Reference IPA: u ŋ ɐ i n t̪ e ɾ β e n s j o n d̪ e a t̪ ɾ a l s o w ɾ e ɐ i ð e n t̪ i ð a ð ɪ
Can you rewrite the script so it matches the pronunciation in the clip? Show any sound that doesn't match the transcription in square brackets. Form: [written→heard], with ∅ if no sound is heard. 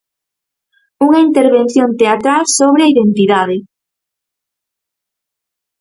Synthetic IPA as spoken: u ŋ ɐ i n t̪ e ɾ β e n [s→θ] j o n [d̪→t̪] e a t̪ ɾ a l s o [w→β] ɾ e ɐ i ð e n t̪ i ð a ð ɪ